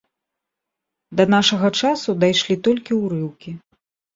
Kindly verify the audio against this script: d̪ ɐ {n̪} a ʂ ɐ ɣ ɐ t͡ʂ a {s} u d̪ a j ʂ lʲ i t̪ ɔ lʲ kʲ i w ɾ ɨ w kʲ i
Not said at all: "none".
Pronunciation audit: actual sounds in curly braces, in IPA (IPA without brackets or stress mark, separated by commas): n̪, s